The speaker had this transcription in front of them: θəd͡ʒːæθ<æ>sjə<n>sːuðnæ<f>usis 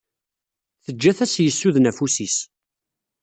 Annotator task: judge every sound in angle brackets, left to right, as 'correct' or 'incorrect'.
correct, incorrect: none, correct

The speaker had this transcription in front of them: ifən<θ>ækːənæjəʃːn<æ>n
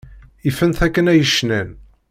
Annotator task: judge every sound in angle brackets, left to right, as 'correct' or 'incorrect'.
correct, correct

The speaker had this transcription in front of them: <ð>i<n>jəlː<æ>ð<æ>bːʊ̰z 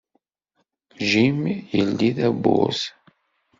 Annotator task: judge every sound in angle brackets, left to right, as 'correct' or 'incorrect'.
incorrect: ʒ, incorrect: m, incorrect: i, correct

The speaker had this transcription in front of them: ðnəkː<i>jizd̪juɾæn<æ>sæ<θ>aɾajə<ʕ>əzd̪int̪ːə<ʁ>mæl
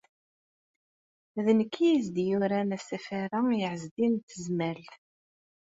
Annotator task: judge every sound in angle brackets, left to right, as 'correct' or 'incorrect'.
correct, correct, incorrect: f, correct, incorrect: z

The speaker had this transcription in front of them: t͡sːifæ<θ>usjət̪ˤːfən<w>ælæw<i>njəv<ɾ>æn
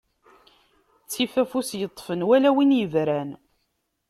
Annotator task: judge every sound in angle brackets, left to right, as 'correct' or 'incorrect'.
incorrect: f, correct, correct, correct

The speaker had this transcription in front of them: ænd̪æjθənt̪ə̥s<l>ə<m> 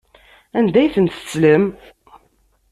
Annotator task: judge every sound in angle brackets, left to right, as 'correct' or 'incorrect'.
correct, correct

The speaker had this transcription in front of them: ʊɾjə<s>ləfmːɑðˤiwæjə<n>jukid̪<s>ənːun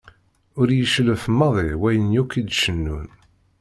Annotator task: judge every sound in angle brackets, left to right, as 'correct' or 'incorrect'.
incorrect: ʃ, correct, incorrect: ʃ

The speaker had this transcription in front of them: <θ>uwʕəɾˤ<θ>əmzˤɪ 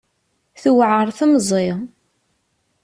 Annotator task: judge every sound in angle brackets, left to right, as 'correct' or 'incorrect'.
correct, correct

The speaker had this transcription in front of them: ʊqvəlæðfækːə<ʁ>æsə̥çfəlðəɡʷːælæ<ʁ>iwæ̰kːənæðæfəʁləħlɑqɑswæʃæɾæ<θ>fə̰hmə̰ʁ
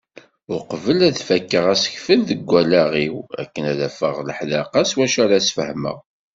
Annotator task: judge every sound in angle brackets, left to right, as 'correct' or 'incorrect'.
correct, correct, incorrect: s

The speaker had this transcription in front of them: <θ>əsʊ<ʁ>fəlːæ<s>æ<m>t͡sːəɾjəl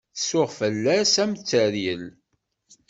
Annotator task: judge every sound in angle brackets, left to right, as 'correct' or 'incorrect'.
correct, correct, correct, correct

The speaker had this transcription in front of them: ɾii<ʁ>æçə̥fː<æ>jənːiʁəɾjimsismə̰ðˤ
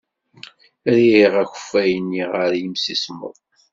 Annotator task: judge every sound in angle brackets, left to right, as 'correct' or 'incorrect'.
correct, correct

